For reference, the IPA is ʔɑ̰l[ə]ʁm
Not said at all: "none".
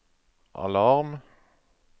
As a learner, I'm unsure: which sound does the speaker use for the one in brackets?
ɑ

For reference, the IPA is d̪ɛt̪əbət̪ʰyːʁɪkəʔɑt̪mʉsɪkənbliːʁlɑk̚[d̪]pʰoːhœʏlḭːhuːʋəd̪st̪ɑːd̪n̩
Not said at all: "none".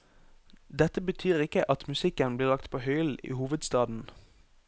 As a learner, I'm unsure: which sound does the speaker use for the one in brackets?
t̪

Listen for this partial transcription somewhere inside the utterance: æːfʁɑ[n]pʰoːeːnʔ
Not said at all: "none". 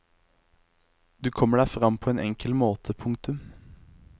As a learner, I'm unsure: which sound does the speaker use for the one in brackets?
m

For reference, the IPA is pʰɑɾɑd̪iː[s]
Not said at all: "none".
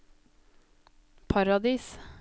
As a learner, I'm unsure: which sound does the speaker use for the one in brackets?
s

